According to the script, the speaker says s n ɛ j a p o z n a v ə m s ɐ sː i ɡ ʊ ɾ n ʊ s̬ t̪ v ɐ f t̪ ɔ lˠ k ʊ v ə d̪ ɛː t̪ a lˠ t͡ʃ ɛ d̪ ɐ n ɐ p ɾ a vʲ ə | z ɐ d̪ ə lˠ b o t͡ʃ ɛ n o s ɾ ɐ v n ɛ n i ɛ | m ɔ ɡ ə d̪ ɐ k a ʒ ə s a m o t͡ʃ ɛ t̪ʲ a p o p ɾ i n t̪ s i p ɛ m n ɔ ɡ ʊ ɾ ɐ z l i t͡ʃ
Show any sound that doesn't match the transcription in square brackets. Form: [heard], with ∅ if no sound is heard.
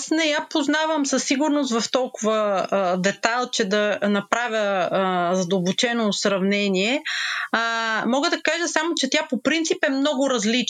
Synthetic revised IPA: s n ɛ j a p o z n a v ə m s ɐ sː i ɡ ʊ ɾ n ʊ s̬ t̪ v ɐ f t̪ ɔ lˠ k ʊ v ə d̪ [ɛ] t̪ a lˠ t͡ʃ ɛ d̪ ɐ n ɐ p ɾ a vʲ ə | z ɐ d̪ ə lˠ b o t͡ʃ ɛ n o s ɾ ɐ v n ɛ n i ɛ | m ɔ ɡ ə d̪ ɐ k a ʒ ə s a m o t͡ʃ ɛ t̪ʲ a p o p ɾ i n t̪ s i p ɛ m n ɔ ɡ ʊ ɾ ɐ z l i t͡ʃ